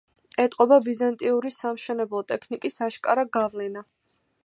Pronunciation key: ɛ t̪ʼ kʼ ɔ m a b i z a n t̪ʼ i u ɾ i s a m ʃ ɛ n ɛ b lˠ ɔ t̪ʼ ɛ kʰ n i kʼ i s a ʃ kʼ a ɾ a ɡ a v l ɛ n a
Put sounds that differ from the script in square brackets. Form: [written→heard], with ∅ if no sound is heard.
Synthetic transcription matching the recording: ɛ t̪ʼ [kʼ→qʼ] ɔ [m→b] a b i z a n t̪ʼ i u ɾ i s a m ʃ ɛ n ɛ b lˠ ɔ t̪ʼ ɛ kʰ n i kʼ i s a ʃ kʼ a ɾ a ɡ a v l ɛ n a